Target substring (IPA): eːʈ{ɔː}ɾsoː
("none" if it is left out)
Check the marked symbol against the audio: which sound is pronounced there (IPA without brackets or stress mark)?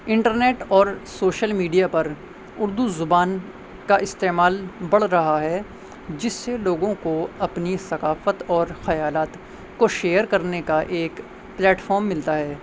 ɔː